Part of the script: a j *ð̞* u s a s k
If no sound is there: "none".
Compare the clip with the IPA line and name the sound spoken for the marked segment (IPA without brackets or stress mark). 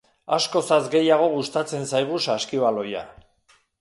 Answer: ɣ̞